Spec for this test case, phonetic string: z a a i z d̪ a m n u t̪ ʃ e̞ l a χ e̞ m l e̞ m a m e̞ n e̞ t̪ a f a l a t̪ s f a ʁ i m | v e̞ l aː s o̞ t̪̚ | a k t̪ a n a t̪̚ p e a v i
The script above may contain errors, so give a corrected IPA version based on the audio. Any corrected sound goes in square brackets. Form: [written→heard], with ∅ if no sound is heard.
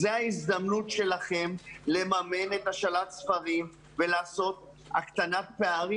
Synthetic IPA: z [a→e] a i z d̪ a m n u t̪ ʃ e̞ l a χ e̞ m l e̞ m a m e̞ n e̞ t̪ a [f→ʃ] a l a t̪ s f a ʁ i m | v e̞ l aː s o̞ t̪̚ | a k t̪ a n a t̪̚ p e a [v→ʁ] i

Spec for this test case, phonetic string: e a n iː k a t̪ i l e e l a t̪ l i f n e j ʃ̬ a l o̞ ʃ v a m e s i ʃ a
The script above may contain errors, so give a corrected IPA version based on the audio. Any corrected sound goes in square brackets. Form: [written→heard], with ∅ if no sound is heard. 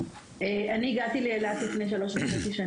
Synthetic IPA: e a n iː [k→ɡ] a t̪ i l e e l a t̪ l i f n e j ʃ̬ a l o̞ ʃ v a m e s i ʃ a

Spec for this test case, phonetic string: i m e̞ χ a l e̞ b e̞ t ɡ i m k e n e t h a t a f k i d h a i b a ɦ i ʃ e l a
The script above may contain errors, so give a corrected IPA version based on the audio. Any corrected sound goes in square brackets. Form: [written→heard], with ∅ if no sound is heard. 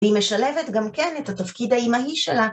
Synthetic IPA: i m e̞ [χ→ʃ] a l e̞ [b→v] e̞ t ɡ [i→a] m k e n e t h a t a f k i d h a i [b→m] a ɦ i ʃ e l a

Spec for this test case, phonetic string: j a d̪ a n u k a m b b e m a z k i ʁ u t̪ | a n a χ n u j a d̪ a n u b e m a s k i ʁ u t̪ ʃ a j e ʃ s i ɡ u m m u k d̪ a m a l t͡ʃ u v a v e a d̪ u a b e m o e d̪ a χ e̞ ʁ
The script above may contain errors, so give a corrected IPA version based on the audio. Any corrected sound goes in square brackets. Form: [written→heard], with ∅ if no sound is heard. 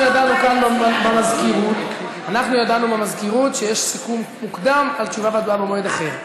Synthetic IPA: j a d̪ a n u k a [m→n] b b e m a z k i ʁ u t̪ | a n a χ n u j a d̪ a n u b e m a [s→z] k i ʁ u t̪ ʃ [a→e] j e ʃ s i [ɡ→k] u m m u k d̪ a m a l t͡ʃ u v a v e a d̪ u a b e m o e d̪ a χ e̞ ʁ

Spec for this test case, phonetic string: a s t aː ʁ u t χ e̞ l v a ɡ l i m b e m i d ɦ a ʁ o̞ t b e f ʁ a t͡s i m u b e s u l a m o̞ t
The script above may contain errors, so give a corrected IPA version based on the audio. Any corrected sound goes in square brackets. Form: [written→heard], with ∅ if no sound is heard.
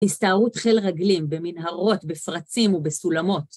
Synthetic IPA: [a→i] s t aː ʁ u t χ e̞ l [v→ʁ] a ɡ l i m b e m i [d→n] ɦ a ʁ o̞ t b e f ʁ a t͡s i m u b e s u l a m o̞ t

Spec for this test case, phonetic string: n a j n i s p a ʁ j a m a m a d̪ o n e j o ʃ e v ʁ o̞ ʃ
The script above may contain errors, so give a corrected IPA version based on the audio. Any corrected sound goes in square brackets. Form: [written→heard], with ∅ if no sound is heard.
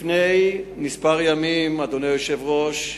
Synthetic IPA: n [a→e] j n i s p a ʁ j a m [a→i] m a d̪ o n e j o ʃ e v ʁ o̞ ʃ

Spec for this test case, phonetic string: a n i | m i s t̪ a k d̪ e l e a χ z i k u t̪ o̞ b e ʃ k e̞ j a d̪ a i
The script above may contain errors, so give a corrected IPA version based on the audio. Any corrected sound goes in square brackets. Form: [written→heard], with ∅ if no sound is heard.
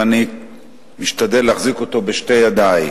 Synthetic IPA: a n i | m i [s→ʃ] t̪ a [k→∅] d̪ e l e a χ z i k [u→o] t̪ o̞ b e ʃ [k→t] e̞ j a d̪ a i

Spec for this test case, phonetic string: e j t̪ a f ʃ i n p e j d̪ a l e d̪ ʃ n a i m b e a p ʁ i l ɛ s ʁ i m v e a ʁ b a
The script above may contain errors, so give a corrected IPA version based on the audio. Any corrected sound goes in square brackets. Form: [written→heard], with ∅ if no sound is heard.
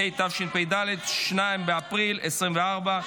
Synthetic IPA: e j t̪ a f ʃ i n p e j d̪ a l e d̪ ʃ n a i m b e a p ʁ i l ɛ s ʁ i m v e a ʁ b a

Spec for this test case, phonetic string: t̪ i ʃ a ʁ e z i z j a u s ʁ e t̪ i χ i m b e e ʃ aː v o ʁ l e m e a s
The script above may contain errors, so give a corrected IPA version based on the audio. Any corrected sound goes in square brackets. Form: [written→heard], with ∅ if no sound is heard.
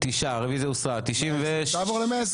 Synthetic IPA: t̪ i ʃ a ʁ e [z→v] i z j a u s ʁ [e→a] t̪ i [χ→ʃ] i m [b→v] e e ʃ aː v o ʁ l e m e a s

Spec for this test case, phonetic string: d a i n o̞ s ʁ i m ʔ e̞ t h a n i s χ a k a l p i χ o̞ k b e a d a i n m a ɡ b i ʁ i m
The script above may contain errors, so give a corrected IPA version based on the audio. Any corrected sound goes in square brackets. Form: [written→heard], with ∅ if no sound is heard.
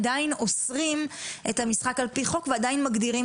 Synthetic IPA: d a i n o̞ s ʁ i m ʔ e̞ t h a [n→m] i s χ a k a l p i χ o̞ k [b→v] e a d a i n m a ɡ [b→d] i ʁ i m

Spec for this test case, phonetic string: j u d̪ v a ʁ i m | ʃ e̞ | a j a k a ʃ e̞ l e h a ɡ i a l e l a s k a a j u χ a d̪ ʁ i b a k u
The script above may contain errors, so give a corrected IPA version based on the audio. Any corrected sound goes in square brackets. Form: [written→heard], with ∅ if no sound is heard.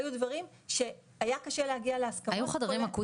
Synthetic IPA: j u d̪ v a ʁ i m | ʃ e̞ | a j a k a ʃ e̞ l e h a ɡ i a l e [l→∅] a s k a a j u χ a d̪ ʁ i [b→m] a k u

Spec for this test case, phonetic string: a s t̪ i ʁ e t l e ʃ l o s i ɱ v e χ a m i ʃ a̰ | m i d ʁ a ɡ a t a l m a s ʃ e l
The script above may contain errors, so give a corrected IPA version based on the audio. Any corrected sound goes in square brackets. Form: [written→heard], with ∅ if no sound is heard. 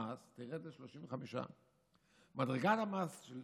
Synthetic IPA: a s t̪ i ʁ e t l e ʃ l o [s→ʃ] i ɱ v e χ a m i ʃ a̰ | m [i→a] d ʁ [a→e] ɡ a t a [l→∅] m a s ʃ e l

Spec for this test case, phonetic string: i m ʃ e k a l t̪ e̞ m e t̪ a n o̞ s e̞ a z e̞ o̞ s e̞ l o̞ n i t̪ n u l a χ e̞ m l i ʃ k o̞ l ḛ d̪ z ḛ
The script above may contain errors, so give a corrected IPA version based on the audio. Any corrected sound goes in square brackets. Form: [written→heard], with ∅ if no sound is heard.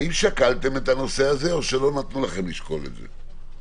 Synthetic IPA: i m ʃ [e→a] k a l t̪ e̞ m e t̪ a n o̞ s e̞ a z e̞ o̞ [s→ʃ] e̞ l o̞ n [i→a] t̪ n u l a χ e̞ m l i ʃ k o̞ l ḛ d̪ z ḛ

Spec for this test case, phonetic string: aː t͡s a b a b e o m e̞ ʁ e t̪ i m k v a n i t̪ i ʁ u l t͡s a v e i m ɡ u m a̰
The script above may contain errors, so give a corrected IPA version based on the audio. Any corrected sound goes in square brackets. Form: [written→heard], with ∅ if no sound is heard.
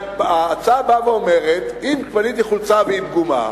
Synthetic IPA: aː t͡s a b a [b→v] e o m e̞ ʁ e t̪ i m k v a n i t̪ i [ʁ→χ] u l t͡s a v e i m ɡ u m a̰

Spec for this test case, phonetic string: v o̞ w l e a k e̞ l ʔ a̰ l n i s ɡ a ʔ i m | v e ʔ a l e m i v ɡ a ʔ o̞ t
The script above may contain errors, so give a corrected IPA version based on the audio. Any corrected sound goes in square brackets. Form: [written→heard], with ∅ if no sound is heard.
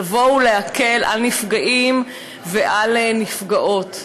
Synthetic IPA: v o̞ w l e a k e̞ l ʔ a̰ l n i [s→f] ɡ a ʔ i m | v e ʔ a l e [m→n] i [v→f] ɡ a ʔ o̞ t

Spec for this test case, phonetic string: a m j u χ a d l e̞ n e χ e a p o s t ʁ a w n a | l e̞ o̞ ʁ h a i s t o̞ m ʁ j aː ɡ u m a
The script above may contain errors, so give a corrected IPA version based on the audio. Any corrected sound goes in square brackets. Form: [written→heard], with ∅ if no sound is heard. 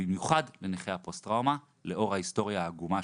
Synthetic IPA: [a→i] m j u χ a d l e̞ n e χ e a p o s t ʁ a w [n→m] a | l e̞ o̞ ʁ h a i s t o̞ [m→∅] ʁ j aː ɡ u m a

